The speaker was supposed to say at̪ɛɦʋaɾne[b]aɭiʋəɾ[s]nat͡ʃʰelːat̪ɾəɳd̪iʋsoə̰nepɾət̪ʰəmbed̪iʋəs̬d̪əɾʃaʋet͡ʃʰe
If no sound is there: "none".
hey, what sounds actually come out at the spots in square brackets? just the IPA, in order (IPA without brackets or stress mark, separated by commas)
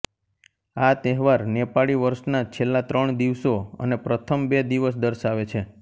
p, ʃ